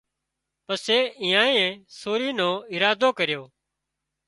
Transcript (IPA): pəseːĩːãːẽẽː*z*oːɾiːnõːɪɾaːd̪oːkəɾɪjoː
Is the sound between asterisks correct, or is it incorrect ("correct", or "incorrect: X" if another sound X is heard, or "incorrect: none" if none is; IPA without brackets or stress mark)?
incorrect: s